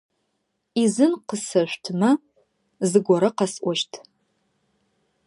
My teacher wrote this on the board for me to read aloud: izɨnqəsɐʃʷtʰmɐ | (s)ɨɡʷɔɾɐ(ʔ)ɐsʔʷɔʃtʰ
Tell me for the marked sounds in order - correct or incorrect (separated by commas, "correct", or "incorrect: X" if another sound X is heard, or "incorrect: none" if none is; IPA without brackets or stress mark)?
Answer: incorrect: z, incorrect: q